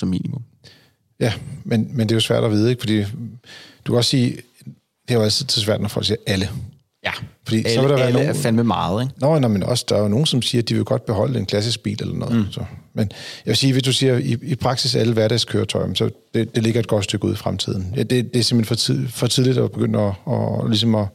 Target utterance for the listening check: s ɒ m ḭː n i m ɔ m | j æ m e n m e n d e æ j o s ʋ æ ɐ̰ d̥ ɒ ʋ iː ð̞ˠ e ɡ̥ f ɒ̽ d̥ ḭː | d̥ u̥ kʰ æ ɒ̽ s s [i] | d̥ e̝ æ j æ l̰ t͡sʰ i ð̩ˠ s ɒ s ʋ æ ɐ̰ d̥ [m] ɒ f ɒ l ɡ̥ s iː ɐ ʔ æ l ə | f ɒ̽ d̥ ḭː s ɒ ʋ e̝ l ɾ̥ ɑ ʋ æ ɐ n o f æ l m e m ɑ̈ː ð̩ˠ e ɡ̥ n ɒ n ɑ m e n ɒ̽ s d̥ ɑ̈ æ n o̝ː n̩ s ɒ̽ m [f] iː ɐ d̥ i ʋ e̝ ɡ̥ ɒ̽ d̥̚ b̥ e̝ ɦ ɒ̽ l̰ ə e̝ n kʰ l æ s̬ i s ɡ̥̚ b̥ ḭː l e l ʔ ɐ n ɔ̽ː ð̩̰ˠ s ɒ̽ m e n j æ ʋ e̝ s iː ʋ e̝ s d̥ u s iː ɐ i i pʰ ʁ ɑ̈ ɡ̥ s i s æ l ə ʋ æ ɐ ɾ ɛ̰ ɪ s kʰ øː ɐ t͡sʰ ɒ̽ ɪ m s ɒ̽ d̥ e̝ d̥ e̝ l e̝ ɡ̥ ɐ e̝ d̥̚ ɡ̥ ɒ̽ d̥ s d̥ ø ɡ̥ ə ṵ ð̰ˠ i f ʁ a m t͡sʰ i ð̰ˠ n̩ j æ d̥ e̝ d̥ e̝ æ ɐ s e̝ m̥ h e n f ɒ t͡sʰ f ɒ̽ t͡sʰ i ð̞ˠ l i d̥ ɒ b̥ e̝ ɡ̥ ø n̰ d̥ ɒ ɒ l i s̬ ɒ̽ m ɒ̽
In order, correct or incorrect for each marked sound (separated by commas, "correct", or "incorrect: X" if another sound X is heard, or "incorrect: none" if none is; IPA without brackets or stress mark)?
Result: incorrect: iː, incorrect: n, incorrect: s